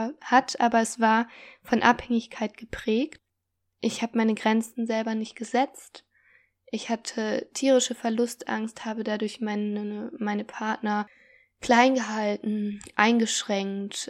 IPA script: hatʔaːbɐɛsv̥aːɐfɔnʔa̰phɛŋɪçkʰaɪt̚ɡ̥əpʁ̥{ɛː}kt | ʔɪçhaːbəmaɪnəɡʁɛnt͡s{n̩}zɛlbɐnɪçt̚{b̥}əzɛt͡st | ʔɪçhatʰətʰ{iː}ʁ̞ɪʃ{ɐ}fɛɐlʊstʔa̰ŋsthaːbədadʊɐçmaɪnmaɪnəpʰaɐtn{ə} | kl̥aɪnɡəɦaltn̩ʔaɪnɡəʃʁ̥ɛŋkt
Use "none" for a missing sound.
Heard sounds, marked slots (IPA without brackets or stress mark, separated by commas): ɛː, n̩, ɡ̥, iː, ə, ɐ